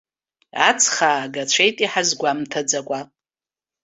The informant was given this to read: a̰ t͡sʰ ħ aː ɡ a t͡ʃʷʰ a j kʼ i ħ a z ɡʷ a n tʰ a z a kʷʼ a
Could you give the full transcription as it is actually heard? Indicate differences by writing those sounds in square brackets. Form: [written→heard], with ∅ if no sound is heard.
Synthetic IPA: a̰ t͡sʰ [ħ→χ] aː ɡ a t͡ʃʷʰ [a→e] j [kʼ→tʼ] i ħ a z ɡʷ a [n→m] tʰ a [z→d͡z] a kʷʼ a